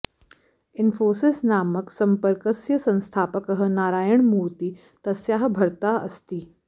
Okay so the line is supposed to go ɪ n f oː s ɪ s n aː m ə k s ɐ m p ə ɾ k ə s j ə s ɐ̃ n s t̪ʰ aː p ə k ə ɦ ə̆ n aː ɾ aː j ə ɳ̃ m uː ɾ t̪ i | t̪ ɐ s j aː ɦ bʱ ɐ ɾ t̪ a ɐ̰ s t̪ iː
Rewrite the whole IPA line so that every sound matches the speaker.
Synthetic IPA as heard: ɪ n f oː s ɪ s n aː m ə k s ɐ m p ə ɾ k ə s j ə s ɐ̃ n s t̪ʰ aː p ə k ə ɦ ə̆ n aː ɾ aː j ə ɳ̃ m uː ɾ t̪ i | t̪ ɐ s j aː ɦ bʱ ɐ ɾ t̪ a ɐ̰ s t̪ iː